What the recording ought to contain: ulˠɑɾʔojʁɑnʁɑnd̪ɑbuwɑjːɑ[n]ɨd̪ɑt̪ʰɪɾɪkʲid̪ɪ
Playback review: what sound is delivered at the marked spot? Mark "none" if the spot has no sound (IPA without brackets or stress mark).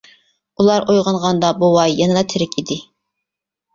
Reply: n